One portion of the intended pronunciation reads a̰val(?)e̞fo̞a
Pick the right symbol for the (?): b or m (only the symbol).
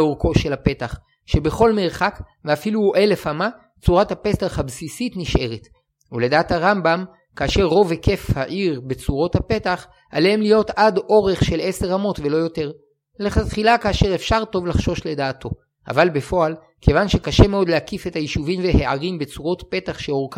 b